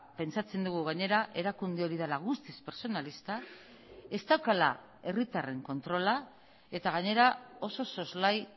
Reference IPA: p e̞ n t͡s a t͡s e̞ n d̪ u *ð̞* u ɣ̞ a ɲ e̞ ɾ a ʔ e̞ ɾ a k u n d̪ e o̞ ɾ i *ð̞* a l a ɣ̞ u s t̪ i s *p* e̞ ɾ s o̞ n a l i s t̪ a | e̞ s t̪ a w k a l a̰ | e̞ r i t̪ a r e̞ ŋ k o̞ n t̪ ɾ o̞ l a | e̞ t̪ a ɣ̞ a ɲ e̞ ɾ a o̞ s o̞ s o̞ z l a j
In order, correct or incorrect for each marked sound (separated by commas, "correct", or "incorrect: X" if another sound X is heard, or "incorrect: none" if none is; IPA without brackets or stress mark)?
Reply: incorrect: ɣ̞, correct, correct